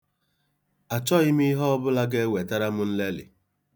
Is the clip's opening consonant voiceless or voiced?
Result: voiceless